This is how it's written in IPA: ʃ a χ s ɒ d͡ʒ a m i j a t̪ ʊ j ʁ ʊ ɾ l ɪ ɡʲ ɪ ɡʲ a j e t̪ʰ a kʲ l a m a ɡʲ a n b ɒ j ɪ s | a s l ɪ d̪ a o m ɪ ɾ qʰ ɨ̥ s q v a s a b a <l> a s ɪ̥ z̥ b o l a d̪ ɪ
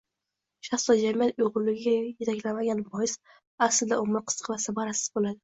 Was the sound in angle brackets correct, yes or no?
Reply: no